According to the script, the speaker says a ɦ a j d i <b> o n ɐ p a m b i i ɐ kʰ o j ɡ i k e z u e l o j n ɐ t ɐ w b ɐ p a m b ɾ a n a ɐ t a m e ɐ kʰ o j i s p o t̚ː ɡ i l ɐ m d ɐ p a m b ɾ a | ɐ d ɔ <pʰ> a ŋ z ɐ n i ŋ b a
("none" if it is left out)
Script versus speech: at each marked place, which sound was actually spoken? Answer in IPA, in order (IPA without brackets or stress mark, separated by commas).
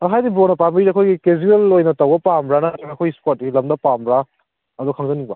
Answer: b, kʰ